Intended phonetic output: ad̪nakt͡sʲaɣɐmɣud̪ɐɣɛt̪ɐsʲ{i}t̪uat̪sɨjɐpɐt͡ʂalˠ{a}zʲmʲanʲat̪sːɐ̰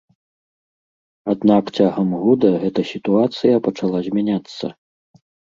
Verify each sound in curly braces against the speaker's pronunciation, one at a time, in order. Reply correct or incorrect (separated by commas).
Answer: correct, correct